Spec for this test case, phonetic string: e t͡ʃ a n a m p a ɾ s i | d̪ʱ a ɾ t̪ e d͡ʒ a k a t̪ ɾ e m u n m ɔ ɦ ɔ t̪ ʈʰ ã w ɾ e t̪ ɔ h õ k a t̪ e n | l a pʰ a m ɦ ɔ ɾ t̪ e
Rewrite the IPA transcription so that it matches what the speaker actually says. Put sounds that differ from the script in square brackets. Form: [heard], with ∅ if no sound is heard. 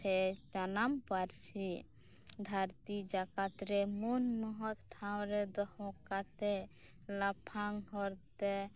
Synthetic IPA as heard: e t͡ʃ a n a m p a ɾ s i | d̪ʱ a ɾ t̪ [i] d͡ʒ a k a t̪ ɾ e m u n m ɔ ɦ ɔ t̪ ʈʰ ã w ɾ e [d̪] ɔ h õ k a t̪ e [∅] | l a pʰ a [ŋ] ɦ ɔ ɾ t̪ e